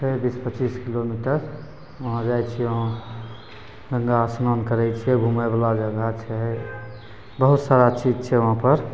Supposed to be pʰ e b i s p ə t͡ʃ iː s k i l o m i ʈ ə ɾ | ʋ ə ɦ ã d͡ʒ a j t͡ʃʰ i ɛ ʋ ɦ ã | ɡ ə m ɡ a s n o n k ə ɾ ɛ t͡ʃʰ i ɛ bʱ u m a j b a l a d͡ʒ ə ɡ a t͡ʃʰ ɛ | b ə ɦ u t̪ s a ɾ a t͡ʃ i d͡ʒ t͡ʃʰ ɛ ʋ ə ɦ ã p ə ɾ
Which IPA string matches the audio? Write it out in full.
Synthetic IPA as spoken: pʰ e b i s p ə t͡ʃ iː s k i l o m i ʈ ə ɾ | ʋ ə ɦ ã d͡ʒ a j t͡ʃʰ i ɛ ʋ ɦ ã | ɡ ə ŋ ɡ a s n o n k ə ɾ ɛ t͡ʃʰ i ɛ ɡʱ u m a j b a l a d͡ʒ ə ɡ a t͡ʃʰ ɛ | b ə ɦ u t̪ s a ɾ a t͡ʃ i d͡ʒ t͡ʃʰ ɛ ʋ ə ɦ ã p ə ɾ